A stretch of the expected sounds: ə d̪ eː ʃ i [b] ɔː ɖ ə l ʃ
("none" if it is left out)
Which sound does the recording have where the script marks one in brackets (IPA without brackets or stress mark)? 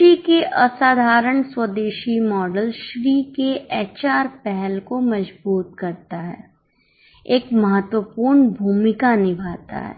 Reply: m